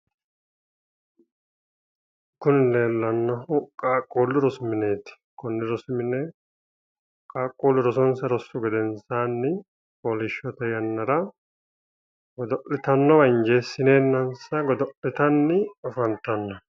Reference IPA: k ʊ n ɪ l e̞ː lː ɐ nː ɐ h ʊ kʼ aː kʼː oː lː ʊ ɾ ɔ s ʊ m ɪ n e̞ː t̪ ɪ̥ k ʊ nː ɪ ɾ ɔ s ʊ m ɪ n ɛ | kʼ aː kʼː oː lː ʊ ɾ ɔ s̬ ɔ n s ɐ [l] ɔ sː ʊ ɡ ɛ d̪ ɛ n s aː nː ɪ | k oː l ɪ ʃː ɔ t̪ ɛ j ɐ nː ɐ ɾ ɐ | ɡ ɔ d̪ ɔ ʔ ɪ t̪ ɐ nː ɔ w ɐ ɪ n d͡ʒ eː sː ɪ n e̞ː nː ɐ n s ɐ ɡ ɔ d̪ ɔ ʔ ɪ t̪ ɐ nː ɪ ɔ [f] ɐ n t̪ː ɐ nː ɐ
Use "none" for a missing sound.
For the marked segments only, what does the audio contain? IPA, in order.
ɾ, f

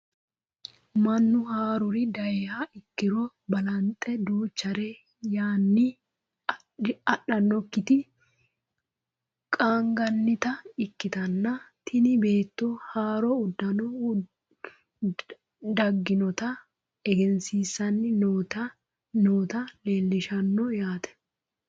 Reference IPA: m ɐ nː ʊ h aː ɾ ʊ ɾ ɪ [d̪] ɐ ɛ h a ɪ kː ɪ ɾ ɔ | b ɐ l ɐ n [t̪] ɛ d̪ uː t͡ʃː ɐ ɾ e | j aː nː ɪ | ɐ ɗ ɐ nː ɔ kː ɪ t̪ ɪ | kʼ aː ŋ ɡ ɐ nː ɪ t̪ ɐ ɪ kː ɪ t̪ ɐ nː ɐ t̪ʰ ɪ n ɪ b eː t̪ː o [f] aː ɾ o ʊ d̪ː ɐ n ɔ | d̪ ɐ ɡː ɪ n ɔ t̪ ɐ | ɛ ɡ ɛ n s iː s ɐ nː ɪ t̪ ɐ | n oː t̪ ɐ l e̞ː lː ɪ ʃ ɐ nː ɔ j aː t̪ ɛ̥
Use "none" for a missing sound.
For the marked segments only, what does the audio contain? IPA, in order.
d̪, t̪ʼ, h

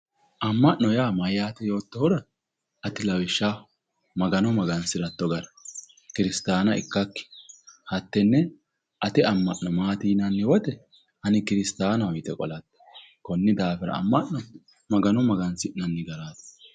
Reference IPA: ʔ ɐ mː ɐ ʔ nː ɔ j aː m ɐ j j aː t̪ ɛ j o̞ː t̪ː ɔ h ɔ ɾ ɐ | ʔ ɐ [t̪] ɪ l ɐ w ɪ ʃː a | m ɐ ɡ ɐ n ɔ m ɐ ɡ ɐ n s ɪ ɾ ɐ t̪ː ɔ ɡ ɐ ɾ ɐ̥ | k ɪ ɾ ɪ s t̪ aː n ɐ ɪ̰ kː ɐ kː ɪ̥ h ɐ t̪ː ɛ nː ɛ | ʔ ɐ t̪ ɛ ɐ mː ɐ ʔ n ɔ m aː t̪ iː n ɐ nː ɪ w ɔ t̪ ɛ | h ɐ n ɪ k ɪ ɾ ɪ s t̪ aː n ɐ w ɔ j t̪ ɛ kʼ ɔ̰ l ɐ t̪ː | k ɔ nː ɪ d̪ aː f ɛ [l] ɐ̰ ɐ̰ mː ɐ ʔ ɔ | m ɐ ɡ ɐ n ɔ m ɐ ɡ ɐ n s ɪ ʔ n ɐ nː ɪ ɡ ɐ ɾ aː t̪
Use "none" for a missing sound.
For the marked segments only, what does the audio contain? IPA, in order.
t̪, ɾ

